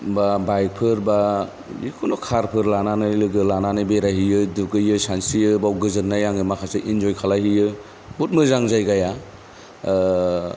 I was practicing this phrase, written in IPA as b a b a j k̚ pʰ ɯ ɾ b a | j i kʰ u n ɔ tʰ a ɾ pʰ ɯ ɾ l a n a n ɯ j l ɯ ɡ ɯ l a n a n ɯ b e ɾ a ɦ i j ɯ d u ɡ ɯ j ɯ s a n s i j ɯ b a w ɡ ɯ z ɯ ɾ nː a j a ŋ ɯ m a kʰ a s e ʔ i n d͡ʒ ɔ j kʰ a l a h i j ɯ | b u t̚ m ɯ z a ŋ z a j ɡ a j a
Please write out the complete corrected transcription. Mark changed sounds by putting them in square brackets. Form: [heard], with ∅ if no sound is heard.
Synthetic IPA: b a b a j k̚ pʰ ɯ ɾ b a | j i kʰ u n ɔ [kʰ] a ɾ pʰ ɯ ɾ l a n a n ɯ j l ɯ ɡ ɯ l a n a n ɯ b e ɾ a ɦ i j ɯ d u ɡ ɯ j ɯ s a n s i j ɯ b a w ɡ ɯ z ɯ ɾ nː a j a ŋ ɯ m a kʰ a s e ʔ i n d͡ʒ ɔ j kʰ a l a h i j ɯ | b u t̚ m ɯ z a ŋ z a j ɡ a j a